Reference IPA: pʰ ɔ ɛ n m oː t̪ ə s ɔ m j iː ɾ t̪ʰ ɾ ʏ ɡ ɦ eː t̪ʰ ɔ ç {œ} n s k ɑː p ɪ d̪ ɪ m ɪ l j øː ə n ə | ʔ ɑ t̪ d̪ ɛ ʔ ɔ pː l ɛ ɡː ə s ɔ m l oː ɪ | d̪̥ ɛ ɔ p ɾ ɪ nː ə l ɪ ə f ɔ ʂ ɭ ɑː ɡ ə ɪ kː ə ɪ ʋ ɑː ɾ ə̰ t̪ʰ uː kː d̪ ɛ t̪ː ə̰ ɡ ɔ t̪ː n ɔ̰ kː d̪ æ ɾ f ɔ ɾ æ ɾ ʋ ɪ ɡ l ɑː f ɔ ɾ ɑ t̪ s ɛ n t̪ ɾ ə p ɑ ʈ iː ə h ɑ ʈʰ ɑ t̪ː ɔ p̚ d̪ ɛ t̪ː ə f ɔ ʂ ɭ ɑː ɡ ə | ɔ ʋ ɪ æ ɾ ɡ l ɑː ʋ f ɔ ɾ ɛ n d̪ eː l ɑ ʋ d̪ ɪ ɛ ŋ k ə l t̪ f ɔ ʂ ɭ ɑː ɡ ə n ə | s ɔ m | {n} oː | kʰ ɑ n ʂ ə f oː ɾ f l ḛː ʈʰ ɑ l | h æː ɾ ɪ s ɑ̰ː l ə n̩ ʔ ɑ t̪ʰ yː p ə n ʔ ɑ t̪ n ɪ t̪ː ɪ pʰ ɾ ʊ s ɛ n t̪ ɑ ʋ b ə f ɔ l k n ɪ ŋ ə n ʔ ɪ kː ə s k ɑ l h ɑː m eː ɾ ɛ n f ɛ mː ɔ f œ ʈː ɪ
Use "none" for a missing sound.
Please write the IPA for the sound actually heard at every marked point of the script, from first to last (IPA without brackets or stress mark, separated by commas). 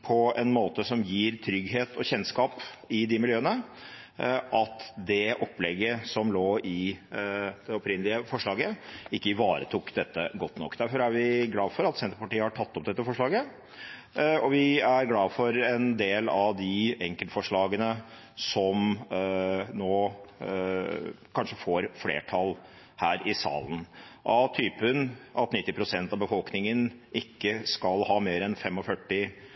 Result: ɛ, n